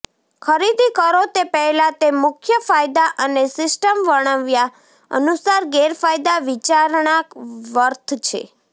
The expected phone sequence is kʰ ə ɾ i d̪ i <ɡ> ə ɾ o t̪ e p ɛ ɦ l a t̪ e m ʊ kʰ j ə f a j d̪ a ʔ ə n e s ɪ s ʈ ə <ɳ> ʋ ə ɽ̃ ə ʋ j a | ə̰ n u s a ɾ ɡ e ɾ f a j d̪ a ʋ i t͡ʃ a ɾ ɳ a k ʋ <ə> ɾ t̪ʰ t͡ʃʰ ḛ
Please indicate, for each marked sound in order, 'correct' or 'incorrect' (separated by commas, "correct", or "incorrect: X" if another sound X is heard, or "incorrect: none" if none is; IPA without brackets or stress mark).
incorrect: k, incorrect: m, correct